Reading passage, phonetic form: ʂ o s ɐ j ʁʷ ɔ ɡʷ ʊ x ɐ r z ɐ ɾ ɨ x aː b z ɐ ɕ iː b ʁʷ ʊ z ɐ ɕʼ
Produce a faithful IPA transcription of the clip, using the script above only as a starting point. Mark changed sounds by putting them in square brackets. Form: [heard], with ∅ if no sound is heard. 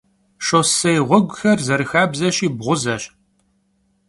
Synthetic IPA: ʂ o s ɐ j ʁʷ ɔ ɡʷ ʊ x ɐ r z ɐ ɾ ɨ x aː b z ɐ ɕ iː b ʁʷ ʊ z ɐ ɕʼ

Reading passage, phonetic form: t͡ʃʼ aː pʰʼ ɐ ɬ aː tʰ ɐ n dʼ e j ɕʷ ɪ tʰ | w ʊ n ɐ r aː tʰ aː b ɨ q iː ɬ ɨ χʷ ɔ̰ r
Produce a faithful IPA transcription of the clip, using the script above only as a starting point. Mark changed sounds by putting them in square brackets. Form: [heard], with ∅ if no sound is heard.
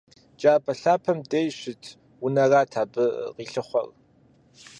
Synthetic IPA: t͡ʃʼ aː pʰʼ ɐ ɬ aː [pʰ] ɐ [m] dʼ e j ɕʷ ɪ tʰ | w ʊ n ɐ r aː tʰ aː b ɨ q iː ɬ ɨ χʷ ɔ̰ r

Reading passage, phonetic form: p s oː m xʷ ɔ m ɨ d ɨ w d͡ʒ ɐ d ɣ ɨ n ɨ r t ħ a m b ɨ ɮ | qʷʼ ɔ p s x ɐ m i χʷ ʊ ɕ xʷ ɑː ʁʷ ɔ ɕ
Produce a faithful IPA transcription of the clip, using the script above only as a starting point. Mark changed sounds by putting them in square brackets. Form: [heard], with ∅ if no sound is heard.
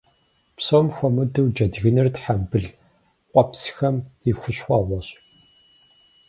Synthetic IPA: p s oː m xʷ ɔ m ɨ d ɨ w d͡ʒ ɐ d ɣ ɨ n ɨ r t ħ a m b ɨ ɮ | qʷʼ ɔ p s x ɐ m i [xʷ] ʊ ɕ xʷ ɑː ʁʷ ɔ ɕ

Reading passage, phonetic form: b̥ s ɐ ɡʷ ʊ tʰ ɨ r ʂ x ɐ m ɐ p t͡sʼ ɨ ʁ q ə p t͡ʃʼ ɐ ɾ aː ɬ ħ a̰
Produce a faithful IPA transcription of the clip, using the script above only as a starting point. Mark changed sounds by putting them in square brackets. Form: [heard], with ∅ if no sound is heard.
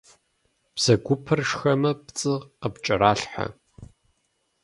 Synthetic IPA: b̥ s ɐ ɡʷ ʊ [pʰ] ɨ r ʂ x ɐ m ɐ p t͡sʼ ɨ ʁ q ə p t͡ʃʼ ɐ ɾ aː ɬ ħ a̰

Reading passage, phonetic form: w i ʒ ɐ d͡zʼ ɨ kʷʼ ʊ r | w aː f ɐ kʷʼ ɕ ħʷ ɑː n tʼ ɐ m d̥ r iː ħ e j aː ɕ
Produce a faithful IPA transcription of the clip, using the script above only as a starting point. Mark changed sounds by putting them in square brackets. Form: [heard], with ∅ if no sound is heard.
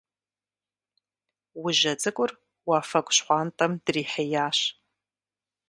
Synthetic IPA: w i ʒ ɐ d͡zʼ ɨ kʷʼ ʊ r | w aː f ɐ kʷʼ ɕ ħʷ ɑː n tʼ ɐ m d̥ r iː ħ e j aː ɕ

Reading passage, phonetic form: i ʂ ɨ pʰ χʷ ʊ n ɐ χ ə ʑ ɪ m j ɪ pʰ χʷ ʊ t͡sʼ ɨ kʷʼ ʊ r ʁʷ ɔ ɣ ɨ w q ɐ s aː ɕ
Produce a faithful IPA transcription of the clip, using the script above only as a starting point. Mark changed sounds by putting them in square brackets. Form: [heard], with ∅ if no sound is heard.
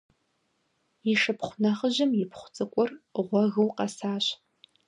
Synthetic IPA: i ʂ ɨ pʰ χʷ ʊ n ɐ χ ə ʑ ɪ m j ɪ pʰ χʷ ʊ t͡sʼ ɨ kʷʼ ʊ r ʁʷ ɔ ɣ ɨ w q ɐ s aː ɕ

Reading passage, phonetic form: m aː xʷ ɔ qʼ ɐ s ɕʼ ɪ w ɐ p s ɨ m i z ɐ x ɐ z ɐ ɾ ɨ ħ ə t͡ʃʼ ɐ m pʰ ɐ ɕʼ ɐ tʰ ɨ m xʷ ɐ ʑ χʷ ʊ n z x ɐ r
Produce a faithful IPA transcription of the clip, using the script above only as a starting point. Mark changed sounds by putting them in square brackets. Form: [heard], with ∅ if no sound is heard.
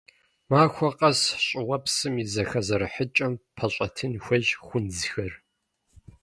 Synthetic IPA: m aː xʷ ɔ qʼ ɐ s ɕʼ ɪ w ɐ p s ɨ m i z ɐ x ɐ z ɐ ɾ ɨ ħ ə t͡ʃʼ ɐ m pʰ ɐ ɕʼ ɐ tʰ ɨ [n] xʷ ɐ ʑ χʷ ʊ n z x ɐ r

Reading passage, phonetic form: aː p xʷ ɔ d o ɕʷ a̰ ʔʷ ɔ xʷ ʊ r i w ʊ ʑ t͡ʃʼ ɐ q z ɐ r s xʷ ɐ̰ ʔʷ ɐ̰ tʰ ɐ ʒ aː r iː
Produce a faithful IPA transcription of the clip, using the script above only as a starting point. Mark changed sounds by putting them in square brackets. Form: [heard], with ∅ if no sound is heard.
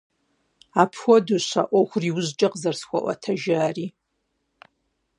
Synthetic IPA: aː [pʰ] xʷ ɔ d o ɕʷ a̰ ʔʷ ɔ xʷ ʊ r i w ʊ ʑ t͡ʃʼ ɐ q z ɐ r s xʷ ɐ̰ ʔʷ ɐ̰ tʰ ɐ ʒ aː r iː

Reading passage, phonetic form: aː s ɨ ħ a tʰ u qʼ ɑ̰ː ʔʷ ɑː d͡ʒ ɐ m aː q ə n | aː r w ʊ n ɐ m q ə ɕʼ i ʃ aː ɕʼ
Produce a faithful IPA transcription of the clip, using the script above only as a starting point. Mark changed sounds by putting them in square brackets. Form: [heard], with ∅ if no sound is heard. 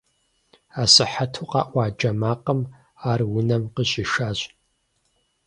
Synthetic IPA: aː s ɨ ħ a tʰ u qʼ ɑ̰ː ʔʷ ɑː d͡ʒ ɐ m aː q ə [m] | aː r w ʊ n ɐ m q ə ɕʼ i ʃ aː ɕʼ

